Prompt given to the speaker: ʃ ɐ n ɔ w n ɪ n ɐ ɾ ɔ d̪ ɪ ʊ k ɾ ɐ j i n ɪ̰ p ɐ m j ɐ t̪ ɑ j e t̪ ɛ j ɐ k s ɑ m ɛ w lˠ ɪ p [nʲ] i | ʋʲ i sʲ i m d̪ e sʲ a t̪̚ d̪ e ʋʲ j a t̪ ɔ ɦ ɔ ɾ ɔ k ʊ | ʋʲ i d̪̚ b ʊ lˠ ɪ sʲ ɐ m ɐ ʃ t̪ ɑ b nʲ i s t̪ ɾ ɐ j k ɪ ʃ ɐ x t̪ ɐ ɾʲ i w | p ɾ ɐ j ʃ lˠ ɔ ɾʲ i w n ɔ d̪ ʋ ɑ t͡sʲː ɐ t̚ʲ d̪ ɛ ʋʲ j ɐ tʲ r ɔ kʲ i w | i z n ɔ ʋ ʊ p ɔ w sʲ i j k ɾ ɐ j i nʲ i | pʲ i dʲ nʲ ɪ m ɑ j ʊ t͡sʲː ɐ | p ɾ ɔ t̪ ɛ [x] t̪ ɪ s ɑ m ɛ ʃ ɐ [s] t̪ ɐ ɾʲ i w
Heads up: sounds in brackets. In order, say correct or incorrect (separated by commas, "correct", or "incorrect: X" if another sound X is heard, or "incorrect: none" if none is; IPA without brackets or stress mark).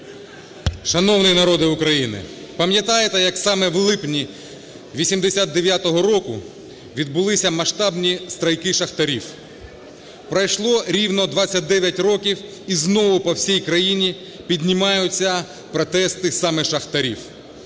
correct, incorrect: s, incorrect: x